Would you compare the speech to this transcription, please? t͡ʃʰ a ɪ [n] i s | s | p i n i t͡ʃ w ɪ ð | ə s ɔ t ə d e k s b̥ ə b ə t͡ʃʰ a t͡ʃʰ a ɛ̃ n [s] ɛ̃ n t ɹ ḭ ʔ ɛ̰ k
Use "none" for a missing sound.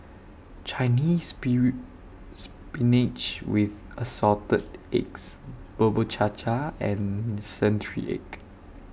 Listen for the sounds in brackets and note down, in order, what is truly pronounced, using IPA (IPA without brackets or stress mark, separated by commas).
n, s